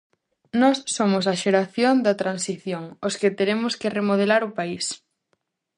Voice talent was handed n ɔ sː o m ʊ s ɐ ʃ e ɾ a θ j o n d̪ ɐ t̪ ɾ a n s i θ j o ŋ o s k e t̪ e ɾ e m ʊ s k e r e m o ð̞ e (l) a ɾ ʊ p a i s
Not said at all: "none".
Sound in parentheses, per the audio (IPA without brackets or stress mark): l